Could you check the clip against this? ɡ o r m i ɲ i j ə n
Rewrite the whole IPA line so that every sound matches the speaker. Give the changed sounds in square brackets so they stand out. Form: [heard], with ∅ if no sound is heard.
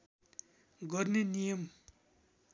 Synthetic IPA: ɡ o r [n] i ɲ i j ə [m]

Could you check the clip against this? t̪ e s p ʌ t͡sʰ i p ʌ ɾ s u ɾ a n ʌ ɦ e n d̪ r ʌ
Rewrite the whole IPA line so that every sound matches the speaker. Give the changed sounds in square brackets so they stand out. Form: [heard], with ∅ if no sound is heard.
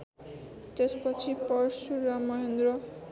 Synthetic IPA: t̪ e s p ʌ t͡sʰ i p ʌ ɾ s u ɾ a [m] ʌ ɦ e n d̪ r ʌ

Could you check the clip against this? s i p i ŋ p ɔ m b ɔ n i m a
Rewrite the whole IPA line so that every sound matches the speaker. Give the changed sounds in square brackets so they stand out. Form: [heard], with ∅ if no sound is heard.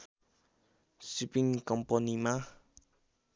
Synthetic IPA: s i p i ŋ [k] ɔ m [p] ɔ n i m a

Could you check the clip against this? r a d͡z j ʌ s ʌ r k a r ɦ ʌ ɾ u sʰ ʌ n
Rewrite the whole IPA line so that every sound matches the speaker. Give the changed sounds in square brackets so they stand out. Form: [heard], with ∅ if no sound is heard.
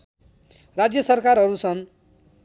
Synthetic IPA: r a d͡z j ʌ s ʌ r k a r ɦ ʌ ɾ u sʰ ʌ n

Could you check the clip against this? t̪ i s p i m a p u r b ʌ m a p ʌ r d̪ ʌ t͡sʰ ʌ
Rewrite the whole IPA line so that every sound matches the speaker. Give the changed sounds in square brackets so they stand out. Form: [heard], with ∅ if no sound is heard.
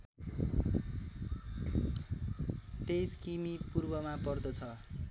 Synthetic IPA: t̪ [e] s [k] i m [i] p u r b ʌ m a p ʌ r d̪ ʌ t͡sʰ ʌ

